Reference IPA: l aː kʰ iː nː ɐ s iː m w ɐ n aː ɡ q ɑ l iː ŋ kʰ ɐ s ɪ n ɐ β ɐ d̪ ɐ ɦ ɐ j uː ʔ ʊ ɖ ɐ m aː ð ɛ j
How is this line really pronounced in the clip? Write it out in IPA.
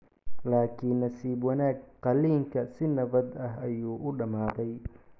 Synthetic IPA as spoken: l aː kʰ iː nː ɐ s iː b w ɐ n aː ɡ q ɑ l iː ŋ kʰ ɐ s ɪ n ɐ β ɐ d̪ ɐ ɦ ɐ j uː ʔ ʊ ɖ ɐ m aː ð ɛ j